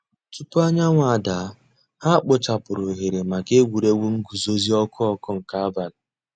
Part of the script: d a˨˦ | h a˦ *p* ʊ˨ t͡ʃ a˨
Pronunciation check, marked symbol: incorrect: k͡p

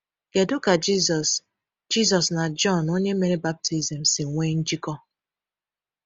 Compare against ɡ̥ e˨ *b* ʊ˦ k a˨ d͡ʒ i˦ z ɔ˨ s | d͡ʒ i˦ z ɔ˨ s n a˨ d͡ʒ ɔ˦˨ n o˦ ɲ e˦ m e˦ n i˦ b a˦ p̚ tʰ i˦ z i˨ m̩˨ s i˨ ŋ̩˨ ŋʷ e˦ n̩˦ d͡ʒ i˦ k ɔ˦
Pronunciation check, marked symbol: incorrect: d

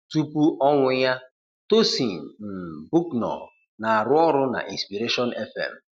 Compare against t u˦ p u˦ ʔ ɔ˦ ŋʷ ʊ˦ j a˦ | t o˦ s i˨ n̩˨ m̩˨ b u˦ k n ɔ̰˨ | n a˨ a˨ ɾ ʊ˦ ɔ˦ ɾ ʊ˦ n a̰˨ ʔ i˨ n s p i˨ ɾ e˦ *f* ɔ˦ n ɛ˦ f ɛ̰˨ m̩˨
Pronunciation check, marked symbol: incorrect: ʃ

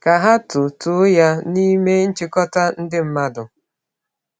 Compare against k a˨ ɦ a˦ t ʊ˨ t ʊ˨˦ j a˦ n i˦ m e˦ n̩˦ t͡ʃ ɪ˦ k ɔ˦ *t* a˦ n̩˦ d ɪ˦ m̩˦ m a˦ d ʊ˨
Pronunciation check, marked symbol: correct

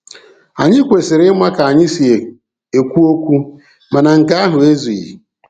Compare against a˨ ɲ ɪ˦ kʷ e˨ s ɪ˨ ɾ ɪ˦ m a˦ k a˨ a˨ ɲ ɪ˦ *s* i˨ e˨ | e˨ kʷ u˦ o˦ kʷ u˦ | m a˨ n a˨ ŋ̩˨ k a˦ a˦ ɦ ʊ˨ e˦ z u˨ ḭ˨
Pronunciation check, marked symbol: correct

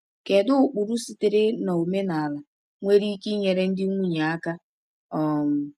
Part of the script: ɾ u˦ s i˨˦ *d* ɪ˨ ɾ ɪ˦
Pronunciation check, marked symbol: incorrect: t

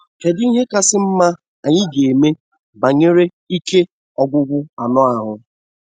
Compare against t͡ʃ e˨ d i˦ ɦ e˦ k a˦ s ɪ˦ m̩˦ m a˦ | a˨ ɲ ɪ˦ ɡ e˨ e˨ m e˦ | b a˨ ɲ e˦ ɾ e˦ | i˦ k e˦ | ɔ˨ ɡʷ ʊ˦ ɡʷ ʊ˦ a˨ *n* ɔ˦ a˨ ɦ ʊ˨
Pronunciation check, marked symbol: correct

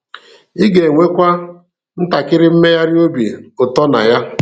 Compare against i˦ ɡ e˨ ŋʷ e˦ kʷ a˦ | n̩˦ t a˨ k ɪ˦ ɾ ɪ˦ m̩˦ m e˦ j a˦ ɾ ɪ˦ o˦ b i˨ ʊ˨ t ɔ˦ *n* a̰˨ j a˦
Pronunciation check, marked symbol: correct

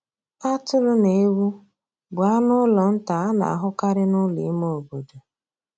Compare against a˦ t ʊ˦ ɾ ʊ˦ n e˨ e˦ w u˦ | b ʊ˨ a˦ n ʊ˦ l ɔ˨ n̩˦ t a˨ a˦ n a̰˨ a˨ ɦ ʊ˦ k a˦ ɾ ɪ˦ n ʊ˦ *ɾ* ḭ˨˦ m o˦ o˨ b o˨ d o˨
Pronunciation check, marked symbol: incorrect: l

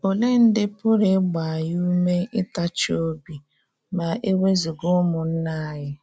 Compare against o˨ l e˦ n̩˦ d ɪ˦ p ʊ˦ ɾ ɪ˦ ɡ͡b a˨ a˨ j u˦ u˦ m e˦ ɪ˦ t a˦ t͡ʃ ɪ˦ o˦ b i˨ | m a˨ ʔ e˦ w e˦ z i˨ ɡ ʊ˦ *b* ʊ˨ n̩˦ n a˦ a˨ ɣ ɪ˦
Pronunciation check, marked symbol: incorrect: m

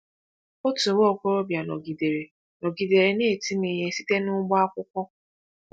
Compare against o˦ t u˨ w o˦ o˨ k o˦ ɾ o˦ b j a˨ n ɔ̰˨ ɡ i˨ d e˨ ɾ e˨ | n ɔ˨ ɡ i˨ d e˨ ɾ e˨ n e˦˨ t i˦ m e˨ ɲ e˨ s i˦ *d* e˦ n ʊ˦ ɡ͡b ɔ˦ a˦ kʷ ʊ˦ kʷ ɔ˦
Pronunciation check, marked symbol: incorrect: t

